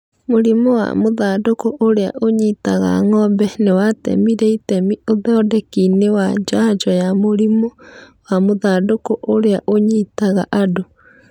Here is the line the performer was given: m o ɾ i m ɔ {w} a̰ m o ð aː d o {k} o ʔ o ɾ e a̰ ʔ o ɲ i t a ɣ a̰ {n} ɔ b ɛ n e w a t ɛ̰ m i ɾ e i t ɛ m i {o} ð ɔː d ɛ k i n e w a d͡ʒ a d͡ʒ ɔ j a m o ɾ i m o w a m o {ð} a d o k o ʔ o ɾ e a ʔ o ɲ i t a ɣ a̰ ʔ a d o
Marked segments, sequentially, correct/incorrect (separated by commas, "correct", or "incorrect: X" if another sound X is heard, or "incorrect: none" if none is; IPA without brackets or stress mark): correct, correct, incorrect: ŋ, correct, correct